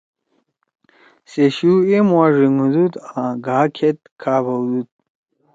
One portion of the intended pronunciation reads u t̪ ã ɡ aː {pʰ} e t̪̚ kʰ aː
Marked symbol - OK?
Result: no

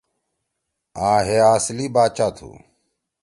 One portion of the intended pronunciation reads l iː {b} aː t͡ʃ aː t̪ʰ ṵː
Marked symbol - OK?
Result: yes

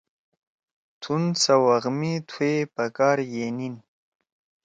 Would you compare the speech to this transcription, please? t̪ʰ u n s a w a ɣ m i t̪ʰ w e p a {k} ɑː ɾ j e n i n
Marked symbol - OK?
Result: yes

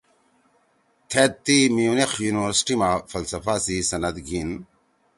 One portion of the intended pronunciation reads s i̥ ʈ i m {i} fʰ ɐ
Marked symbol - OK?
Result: no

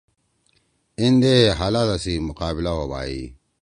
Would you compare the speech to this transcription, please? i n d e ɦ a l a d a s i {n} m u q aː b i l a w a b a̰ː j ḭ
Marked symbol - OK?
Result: no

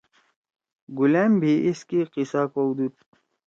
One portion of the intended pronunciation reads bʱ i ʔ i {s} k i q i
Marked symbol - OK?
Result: yes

